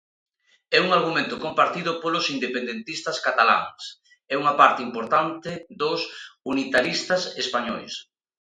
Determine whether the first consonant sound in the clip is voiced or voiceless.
voiced